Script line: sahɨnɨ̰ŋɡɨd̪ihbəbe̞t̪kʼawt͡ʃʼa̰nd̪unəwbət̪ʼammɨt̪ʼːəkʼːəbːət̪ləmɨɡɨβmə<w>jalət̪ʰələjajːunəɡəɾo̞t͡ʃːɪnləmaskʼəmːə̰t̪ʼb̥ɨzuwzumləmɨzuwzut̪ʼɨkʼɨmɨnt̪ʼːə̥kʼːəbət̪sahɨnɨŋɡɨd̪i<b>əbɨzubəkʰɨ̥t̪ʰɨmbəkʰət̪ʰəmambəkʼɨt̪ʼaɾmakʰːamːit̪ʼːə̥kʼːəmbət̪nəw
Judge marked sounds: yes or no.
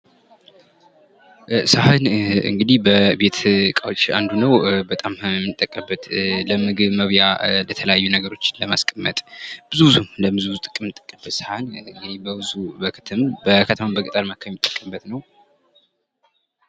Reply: no, yes

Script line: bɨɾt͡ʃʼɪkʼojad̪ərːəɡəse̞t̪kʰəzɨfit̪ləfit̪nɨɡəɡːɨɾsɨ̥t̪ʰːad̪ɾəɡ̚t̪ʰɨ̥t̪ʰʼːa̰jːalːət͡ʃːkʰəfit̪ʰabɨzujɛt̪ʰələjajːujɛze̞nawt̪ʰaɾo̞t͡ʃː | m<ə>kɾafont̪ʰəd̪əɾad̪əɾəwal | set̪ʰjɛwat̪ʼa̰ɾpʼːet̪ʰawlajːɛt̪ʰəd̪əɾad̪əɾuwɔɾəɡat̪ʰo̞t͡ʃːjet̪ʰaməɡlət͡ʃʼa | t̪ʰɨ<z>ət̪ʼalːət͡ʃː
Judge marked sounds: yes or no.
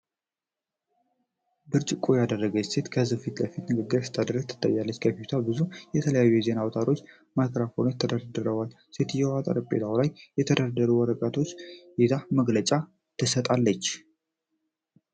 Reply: no, no

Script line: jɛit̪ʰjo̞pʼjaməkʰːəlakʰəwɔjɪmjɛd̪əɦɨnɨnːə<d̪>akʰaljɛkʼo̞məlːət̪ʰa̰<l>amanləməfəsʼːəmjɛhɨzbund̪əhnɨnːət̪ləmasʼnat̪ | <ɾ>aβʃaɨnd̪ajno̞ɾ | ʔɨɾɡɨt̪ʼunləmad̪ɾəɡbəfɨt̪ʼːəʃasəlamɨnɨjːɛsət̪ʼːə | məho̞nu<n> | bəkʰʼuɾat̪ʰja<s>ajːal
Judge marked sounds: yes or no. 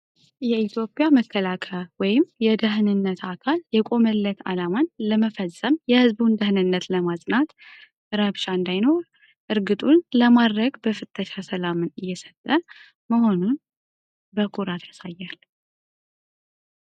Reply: no, yes, yes, yes, yes

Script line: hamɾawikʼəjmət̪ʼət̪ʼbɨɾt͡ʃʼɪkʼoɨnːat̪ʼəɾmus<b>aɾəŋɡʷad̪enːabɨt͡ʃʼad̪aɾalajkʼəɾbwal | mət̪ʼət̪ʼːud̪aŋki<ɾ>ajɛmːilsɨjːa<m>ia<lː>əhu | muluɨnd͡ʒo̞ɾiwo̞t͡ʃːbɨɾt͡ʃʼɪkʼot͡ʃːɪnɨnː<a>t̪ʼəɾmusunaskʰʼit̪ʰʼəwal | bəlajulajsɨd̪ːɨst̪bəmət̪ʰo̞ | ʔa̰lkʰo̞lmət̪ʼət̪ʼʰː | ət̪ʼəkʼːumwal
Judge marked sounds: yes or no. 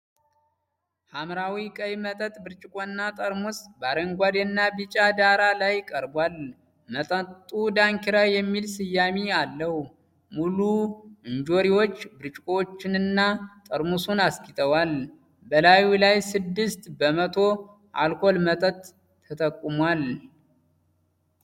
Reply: yes, yes, yes, yes, yes

